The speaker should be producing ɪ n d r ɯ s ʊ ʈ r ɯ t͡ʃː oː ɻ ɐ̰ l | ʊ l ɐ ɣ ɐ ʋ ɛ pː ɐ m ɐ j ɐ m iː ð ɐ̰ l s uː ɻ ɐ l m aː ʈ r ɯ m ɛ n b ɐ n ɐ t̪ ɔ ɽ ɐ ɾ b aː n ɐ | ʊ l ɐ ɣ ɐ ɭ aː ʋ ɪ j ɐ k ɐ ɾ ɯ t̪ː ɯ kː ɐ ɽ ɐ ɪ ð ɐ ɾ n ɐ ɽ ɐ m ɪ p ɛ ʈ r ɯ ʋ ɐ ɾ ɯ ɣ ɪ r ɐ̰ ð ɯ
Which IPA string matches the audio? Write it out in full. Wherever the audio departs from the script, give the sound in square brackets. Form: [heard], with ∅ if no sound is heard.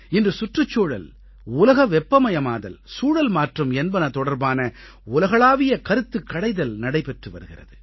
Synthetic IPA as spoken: ɪ n d r ɯ s ʊ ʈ r ɯ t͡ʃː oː ɻ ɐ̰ l | ʊ l ɐ ɣ ɐ ʋ ɛ pː ɐ m ɐ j ɐ m [aː] ð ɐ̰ l s uː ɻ ɐ l m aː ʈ r ɯ m ɛ n b ɐ n ɐ t̪ ɔ ɽ ɐ ɾ b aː n ɐ | ʊ l ɐ ɣ ɐ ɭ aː ʋ ɪ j ɐ k ɐ ɾ ɯ t̪ː ɯ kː ɐ ɽ ɐ ɪ ð ɐ [l] n ɐ ɽ ɐ [∅] ɪ p ɛ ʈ r ɯ ʋ ɐ ɾ ɯ ɣ ɪ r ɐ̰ ð ɯ